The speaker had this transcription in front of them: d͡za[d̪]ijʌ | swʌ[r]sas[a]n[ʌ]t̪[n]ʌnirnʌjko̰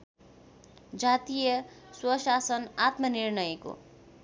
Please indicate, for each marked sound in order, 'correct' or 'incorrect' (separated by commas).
incorrect, incorrect, incorrect, incorrect, incorrect